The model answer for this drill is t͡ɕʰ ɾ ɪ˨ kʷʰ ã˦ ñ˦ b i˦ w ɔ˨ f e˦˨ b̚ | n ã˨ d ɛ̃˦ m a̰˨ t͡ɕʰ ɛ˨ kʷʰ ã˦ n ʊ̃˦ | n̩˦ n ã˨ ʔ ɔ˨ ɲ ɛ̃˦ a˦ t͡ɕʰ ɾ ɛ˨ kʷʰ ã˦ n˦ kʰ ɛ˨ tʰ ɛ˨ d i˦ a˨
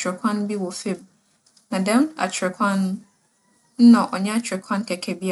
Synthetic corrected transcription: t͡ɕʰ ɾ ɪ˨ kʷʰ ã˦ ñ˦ b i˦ w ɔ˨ f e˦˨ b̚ | n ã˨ d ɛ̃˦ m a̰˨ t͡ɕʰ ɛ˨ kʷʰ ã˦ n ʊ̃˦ | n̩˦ n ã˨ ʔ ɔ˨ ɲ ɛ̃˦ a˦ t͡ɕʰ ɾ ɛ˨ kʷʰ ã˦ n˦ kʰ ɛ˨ kʰ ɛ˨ b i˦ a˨